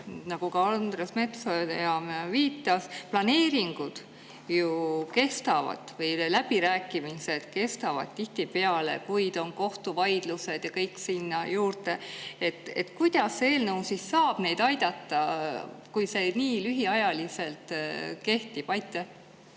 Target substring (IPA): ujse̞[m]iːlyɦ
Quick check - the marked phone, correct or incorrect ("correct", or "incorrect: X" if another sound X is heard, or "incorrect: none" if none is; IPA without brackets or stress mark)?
incorrect: n